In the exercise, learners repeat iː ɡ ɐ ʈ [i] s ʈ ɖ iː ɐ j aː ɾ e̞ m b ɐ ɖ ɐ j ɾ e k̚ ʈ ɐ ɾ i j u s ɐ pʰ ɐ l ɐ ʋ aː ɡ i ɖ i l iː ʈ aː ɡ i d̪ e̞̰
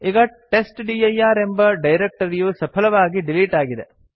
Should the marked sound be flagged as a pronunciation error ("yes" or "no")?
yes